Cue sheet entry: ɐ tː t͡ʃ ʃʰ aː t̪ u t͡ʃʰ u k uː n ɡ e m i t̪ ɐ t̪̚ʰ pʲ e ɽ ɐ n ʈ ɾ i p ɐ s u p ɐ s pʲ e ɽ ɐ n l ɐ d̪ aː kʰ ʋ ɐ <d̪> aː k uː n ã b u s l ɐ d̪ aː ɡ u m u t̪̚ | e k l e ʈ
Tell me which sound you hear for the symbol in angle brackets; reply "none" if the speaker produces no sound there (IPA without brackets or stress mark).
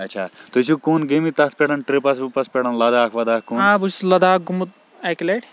d̪